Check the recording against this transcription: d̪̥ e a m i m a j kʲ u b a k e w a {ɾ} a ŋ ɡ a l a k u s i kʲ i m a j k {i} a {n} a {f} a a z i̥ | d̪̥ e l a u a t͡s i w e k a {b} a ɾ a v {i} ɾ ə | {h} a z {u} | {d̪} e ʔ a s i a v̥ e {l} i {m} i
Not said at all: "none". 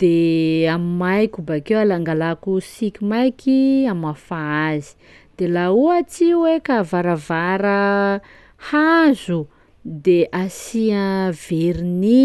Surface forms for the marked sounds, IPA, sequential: l, i, m, f, v, a, h, u, d̪, ɾ, n

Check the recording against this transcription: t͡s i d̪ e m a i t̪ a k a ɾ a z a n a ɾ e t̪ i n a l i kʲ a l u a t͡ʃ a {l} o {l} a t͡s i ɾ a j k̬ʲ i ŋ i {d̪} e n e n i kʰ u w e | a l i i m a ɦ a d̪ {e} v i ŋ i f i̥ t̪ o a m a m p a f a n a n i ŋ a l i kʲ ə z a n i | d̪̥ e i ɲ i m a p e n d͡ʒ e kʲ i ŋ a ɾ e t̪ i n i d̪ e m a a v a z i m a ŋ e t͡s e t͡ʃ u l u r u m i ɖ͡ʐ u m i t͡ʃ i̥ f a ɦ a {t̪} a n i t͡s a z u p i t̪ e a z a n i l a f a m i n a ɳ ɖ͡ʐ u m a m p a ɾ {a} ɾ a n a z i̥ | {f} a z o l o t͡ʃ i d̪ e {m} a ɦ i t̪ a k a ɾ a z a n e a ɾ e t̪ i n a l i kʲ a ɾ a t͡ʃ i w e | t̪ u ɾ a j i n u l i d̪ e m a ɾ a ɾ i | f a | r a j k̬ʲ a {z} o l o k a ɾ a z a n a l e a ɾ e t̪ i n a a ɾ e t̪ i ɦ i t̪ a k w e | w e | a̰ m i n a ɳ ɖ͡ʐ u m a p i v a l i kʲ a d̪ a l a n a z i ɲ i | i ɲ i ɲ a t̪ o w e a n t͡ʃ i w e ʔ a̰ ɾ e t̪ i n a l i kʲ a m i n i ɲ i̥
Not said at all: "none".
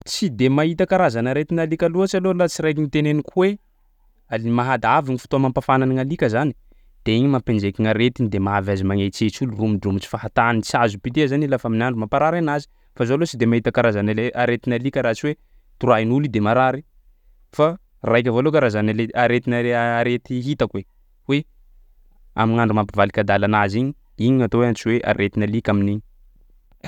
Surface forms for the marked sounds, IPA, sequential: l, l, t̪, a, t̪, a, f, m, v

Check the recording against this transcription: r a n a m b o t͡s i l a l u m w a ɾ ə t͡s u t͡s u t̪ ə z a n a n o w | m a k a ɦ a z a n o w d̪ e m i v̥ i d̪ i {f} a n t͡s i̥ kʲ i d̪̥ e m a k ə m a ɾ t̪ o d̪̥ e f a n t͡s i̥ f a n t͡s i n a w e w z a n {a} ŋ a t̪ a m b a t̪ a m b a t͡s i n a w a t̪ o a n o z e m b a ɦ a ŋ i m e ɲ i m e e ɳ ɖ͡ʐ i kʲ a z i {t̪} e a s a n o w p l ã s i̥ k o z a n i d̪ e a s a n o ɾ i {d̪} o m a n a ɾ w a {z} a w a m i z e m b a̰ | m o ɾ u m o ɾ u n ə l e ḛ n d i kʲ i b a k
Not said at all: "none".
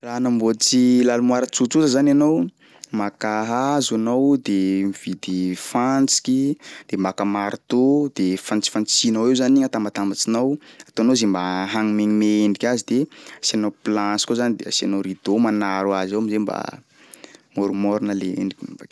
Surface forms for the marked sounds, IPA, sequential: f, i, d̪, d̪, z

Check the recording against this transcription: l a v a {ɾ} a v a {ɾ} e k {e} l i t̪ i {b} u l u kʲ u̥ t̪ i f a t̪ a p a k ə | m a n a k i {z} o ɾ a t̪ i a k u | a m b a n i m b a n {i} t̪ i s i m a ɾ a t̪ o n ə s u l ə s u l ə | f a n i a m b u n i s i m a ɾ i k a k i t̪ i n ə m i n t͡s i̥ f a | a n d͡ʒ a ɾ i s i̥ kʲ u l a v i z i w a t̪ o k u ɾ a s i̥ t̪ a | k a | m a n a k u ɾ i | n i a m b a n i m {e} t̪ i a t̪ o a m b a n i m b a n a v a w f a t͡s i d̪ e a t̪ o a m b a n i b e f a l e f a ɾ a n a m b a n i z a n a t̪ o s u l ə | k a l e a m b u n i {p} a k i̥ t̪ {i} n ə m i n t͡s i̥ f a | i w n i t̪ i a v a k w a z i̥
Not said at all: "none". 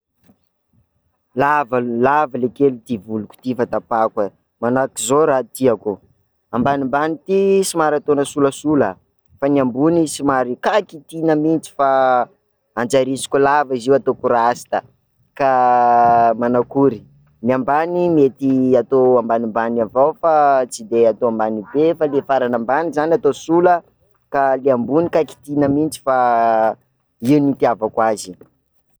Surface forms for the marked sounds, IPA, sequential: l, l, e, v, z, i, e, k, i

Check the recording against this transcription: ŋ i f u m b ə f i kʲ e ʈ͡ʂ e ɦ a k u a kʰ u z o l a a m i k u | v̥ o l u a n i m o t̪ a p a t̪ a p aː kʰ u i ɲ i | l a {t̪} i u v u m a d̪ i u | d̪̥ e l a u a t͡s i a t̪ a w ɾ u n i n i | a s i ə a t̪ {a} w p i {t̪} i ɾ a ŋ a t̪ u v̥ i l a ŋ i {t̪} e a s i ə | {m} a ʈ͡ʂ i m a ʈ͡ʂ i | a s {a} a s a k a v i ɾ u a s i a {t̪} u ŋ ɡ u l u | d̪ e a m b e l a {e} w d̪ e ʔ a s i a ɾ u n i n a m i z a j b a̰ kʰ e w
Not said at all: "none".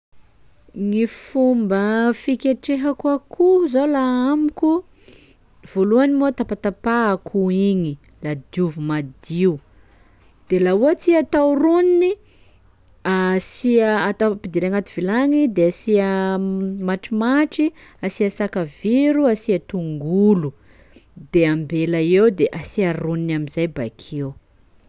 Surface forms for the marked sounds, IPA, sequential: d̪, a, d̪, d̪, m, i, t̪, e

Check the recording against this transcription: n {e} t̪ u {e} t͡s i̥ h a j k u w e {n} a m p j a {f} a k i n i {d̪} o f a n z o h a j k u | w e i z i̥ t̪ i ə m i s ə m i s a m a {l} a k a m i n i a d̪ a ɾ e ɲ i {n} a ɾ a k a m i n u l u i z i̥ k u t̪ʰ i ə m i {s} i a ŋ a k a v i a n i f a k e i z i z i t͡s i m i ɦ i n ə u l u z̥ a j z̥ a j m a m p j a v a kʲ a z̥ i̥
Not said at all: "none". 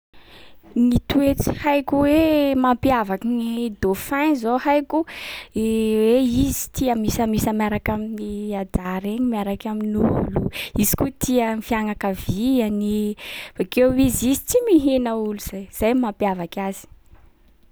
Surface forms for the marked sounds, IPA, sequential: i, e, m, v, d̪, ɾ, m, f

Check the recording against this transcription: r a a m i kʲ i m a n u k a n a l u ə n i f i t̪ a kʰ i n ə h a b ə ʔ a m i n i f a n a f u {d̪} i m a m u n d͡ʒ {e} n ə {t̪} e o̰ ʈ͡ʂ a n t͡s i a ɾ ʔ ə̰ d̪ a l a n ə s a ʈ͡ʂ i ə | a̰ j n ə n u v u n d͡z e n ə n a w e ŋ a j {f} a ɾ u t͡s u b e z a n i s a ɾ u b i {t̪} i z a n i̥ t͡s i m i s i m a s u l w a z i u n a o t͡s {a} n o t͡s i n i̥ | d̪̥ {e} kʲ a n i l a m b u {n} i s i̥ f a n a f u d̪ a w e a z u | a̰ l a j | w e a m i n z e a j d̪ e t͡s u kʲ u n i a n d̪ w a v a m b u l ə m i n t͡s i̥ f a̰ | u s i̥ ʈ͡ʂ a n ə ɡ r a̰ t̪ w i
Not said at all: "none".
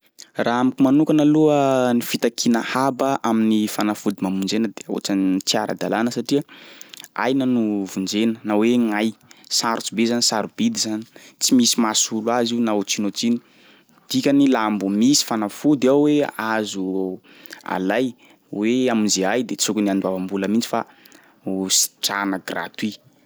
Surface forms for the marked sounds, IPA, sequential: d̪, e, d̪, s, d̪, i, i, m

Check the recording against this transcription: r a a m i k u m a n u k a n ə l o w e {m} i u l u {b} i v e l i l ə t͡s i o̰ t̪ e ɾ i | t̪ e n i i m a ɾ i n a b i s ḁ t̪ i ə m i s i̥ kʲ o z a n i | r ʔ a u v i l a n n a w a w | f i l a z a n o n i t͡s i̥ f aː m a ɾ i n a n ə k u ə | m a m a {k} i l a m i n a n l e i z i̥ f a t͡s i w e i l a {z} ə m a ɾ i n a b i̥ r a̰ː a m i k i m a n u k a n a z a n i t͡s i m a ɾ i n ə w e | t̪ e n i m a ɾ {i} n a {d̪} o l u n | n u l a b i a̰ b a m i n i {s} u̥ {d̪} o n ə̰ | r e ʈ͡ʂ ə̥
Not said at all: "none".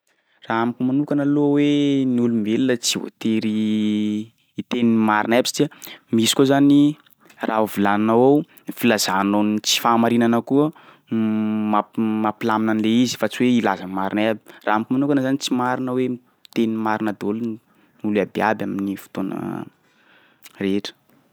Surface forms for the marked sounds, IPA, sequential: n, m, p, z, i, d̪, f, t̪

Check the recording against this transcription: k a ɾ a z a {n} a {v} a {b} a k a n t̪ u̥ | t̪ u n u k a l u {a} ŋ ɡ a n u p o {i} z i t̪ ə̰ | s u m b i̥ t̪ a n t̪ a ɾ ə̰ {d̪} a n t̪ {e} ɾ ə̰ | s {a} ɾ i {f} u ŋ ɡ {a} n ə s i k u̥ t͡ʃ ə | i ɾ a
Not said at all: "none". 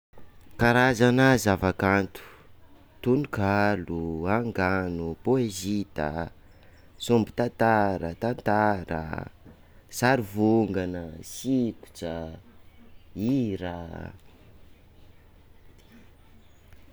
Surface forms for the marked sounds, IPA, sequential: n, z, v, a, e, t̪, a, a, v, a

